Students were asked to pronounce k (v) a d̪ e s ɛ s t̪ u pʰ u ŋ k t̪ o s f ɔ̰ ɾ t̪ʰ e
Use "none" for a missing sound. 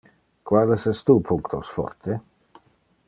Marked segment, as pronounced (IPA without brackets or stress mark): w